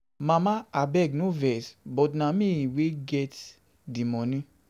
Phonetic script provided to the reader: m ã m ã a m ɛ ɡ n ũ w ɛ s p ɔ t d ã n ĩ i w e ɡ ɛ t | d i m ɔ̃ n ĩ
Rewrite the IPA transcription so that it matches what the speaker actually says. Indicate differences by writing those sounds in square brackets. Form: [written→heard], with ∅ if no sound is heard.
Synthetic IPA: m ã m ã a [m→b] ɛ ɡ n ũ [w→v] ɛ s [p→b] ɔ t [d→n] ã [n→m] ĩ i w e ɡ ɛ t | d i m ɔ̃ n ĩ